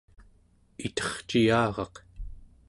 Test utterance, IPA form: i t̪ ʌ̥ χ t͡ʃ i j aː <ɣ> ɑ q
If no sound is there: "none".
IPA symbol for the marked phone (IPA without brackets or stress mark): ʁ